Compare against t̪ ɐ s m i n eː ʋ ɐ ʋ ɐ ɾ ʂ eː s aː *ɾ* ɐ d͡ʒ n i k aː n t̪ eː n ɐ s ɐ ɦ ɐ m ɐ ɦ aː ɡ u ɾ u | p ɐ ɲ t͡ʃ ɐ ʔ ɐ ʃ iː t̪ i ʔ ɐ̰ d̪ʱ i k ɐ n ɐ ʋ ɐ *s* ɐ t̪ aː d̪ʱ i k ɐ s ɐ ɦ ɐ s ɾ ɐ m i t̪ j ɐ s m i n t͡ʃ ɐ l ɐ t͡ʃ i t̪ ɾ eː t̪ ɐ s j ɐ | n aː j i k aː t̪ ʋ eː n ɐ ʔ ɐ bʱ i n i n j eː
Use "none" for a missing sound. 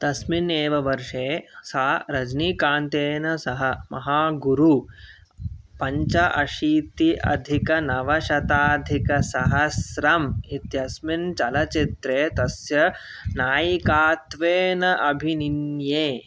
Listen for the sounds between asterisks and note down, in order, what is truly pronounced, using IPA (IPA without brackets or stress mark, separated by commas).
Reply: ɾ, ʃ